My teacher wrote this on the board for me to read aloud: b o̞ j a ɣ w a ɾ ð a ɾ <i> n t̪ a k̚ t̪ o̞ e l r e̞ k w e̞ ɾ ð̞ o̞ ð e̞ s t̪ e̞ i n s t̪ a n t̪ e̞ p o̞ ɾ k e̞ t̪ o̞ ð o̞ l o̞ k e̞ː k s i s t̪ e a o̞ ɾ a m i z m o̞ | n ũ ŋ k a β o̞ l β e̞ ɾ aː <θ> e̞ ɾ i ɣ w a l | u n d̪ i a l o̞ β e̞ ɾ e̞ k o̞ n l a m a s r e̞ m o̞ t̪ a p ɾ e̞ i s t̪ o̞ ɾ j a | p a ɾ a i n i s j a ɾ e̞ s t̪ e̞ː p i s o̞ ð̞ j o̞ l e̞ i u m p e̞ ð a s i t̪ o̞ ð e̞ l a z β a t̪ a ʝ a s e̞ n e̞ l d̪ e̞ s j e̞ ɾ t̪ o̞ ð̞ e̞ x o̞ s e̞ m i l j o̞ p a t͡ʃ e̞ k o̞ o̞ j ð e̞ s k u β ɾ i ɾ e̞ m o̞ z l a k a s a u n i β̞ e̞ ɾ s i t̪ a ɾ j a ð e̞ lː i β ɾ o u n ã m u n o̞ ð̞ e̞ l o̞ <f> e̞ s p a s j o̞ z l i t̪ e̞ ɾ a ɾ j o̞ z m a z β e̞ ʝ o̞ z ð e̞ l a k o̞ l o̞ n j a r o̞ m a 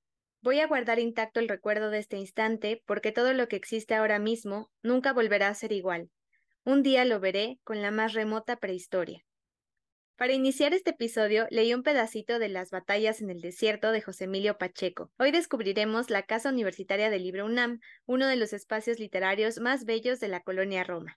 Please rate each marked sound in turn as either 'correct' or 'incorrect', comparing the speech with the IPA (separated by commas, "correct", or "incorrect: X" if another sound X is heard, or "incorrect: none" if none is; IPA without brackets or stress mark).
correct, incorrect: s, incorrect: s